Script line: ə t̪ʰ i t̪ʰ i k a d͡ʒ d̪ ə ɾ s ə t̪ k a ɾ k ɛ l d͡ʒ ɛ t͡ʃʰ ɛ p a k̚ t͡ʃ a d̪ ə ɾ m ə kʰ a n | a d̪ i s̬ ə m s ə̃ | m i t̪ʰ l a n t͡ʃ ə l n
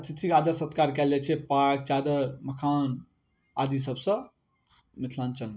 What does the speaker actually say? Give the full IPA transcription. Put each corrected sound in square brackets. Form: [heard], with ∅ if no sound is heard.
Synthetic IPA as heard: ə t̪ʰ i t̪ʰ i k a [∅] d̪ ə ɾ s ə t̪ k a ɾ k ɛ l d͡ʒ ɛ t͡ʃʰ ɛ p a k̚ t͡ʃ a d̪ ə ɾ m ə kʰ a n | a d̪ i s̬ ə [b] s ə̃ | m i t̪ʰ l a n t͡ʃ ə l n